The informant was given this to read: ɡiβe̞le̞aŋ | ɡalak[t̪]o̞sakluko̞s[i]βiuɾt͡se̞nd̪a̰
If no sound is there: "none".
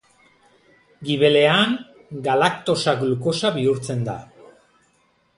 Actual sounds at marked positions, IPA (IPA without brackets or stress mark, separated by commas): t̪, a